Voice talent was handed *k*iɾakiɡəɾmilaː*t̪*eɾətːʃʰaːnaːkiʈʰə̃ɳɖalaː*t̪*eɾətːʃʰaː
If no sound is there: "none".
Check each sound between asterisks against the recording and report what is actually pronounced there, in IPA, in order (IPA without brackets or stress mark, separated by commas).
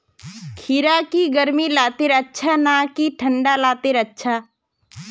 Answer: kʰ, t̪, t̪